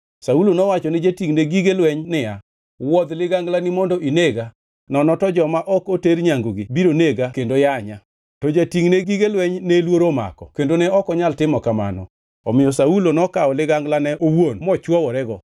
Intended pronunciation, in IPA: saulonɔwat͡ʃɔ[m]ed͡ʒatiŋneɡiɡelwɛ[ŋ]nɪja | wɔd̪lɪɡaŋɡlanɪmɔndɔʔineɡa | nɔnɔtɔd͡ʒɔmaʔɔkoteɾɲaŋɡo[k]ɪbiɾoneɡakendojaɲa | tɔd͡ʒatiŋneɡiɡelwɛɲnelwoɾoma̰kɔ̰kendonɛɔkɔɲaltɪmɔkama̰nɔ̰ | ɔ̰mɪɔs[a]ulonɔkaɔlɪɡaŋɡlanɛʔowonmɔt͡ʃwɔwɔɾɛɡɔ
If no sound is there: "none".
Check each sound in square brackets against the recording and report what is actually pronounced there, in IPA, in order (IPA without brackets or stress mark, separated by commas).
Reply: n, ɲ, ɡ, a